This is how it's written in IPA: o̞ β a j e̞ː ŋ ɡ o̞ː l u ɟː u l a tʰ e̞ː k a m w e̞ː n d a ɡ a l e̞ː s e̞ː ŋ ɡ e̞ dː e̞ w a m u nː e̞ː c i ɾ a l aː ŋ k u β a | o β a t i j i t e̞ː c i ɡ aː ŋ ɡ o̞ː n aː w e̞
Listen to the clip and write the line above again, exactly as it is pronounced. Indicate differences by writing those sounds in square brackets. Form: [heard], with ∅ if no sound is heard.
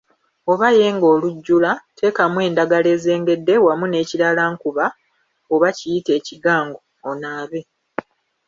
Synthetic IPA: o̞ β a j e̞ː ŋ ɡ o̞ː l u ɟː u l a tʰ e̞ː k a m w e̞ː n d a ɡ a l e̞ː [z] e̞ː ŋ ɡ e̞ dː e̞ w a m u [n] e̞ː c i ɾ a l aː ŋ k u β a | o β a [c] i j i t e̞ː c i ɡ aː ŋ ɡ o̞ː n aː [β] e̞